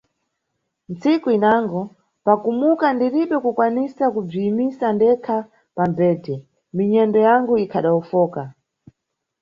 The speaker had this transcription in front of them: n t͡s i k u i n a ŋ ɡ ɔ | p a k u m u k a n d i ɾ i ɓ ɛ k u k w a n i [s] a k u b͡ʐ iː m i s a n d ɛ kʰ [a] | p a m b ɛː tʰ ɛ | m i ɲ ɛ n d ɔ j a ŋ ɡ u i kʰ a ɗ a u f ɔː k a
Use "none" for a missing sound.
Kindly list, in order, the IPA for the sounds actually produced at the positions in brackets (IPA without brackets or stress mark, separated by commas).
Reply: s, a